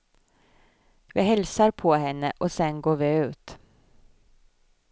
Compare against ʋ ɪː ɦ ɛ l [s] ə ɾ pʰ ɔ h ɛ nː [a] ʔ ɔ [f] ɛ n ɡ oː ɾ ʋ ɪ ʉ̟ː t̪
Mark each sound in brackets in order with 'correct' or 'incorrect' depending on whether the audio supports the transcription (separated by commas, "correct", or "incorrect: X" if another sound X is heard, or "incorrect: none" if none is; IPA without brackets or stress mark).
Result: correct, incorrect: ə, incorrect: s